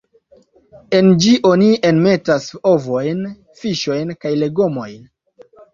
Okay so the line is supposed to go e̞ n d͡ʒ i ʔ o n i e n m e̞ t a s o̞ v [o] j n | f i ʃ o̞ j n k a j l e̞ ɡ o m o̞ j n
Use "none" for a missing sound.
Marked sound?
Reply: o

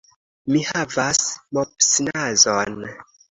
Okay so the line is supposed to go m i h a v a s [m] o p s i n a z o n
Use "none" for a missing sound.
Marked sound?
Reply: m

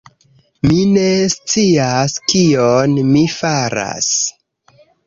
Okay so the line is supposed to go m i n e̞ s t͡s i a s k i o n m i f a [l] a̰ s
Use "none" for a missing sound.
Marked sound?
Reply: ɾ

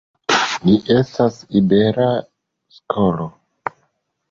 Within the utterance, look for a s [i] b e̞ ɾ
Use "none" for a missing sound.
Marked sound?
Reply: i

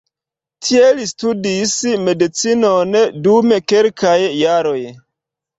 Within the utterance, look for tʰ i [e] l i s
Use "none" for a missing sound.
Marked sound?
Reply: e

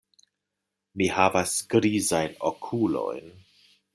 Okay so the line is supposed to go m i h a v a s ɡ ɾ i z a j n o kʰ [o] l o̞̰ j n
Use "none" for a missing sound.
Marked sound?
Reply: u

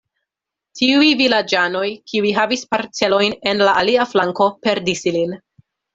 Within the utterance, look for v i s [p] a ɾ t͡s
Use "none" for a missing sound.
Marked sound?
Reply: p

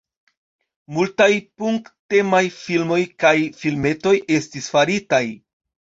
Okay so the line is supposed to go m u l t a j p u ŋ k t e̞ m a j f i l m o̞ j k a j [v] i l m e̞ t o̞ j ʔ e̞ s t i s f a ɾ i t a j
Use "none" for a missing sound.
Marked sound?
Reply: f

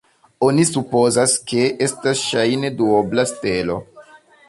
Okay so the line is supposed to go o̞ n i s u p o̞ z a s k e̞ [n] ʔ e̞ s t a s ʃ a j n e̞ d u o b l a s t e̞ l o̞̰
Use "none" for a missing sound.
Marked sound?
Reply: none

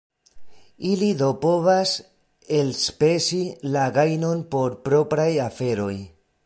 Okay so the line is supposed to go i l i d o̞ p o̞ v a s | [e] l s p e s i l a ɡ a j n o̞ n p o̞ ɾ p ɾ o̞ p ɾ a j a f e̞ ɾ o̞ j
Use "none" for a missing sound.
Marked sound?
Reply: e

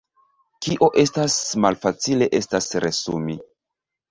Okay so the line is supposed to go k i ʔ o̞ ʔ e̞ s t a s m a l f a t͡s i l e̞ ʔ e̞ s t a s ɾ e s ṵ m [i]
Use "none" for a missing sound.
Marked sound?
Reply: i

